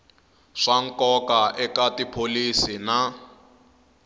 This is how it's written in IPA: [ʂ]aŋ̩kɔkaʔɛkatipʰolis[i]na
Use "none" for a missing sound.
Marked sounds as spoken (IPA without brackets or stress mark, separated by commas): ʂ, i